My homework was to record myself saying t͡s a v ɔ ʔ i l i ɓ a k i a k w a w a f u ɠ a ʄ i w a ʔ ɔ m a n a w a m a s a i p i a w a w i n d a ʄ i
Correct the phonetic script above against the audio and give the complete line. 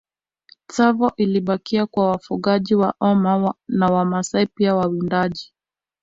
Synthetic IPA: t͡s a v ɔ ʔ i l i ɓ a k i a k w a w a f u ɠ a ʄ i w a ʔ ɔ m a n a w a m a s a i p i a w a w i n d a ʄ i